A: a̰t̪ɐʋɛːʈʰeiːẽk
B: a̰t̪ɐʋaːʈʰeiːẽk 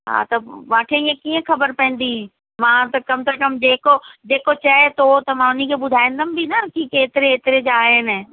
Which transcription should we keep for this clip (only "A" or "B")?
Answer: B